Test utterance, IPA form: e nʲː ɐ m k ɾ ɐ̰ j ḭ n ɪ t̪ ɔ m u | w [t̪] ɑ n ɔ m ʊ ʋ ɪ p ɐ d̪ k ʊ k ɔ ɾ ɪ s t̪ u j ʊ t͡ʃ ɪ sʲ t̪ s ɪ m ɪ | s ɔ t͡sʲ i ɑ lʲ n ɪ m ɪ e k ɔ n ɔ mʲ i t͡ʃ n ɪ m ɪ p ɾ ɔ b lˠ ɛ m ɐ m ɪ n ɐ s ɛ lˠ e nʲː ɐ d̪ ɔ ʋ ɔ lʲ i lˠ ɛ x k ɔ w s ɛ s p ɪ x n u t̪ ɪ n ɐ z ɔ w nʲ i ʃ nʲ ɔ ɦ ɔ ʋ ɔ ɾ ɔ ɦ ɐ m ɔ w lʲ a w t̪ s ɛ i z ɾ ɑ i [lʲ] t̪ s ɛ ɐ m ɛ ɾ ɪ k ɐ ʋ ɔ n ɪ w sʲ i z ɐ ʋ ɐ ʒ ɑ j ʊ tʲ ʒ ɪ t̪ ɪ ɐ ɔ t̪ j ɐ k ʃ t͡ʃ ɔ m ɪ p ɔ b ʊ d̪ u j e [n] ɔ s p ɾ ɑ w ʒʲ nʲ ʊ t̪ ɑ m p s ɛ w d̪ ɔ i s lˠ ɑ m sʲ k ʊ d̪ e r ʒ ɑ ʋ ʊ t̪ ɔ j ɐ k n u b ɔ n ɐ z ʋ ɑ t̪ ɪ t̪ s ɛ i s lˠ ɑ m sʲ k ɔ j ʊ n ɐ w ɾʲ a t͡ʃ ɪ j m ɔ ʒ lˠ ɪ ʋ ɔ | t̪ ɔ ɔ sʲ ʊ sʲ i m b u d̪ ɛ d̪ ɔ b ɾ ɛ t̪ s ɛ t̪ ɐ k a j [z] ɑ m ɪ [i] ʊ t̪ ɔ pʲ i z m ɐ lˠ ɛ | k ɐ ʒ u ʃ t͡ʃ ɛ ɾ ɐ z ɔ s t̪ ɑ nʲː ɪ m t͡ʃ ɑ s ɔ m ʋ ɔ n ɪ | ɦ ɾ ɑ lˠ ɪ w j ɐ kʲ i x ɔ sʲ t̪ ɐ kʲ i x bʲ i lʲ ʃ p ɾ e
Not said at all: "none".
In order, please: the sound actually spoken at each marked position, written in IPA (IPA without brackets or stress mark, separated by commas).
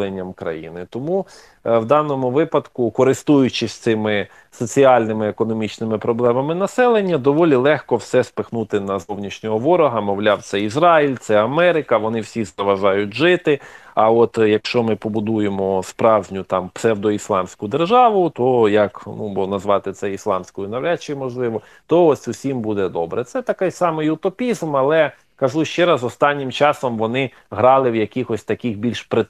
d̪, lʲ, m, s, j